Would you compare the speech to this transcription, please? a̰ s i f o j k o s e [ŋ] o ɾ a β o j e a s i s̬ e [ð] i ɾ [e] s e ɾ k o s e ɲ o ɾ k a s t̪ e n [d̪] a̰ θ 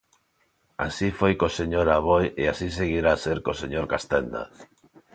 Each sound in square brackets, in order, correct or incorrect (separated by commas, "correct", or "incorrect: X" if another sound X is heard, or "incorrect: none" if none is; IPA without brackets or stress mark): incorrect: ɲ, incorrect: ɣ, incorrect: a, correct